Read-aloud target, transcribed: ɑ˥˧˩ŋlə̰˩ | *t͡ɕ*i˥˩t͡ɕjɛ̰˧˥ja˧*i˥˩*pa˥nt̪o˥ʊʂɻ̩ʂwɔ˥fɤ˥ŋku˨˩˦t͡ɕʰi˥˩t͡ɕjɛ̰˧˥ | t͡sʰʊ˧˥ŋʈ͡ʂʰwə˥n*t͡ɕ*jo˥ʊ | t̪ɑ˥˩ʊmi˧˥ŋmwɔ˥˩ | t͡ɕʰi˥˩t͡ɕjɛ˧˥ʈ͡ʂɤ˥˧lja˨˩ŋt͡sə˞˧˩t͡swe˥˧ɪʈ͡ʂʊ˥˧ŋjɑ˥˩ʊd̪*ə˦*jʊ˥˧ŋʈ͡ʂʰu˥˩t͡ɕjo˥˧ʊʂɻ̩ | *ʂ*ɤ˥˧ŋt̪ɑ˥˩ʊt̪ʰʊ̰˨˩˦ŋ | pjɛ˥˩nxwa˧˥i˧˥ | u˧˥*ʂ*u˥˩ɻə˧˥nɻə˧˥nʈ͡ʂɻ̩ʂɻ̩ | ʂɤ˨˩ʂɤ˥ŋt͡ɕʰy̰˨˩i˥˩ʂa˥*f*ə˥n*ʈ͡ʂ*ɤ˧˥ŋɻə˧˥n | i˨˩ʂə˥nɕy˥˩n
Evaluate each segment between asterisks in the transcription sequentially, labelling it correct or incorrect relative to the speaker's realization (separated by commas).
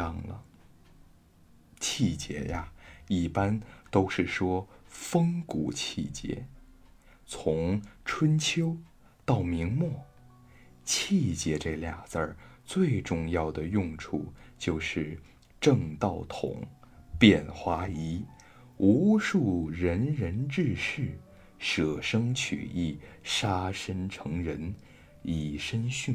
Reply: incorrect, correct, incorrect, incorrect, incorrect, correct, incorrect, incorrect